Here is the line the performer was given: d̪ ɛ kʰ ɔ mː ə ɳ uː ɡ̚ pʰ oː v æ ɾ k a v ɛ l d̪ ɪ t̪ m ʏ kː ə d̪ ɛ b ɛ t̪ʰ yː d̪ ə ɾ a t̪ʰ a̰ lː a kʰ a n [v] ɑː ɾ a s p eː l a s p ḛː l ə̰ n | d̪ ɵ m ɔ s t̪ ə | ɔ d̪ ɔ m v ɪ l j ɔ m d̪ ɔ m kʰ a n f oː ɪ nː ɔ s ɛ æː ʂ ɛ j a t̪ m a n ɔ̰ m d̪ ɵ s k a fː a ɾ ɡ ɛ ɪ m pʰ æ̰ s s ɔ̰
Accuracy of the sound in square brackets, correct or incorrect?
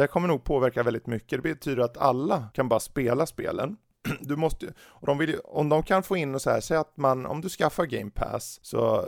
incorrect